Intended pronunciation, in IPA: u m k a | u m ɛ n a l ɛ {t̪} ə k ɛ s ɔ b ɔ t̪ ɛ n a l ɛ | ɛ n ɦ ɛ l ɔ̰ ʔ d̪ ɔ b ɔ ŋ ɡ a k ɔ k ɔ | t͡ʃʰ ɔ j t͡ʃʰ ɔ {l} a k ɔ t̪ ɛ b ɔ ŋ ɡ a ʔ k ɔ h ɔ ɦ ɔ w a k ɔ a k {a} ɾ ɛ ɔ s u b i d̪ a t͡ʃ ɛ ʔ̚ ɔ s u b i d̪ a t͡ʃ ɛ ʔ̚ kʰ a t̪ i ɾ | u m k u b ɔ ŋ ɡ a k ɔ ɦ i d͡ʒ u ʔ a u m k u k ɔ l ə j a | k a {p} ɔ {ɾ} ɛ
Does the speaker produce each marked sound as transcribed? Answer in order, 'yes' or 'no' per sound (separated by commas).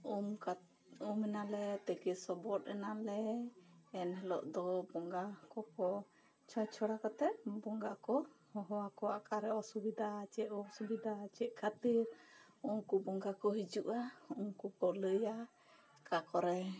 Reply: yes, no, yes, no, yes